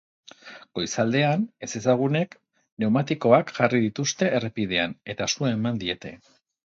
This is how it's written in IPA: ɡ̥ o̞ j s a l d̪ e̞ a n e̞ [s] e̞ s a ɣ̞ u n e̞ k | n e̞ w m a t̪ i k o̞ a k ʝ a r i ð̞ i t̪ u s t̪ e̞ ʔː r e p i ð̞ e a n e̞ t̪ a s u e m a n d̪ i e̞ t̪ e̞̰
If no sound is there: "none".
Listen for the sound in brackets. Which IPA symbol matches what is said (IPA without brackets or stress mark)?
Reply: s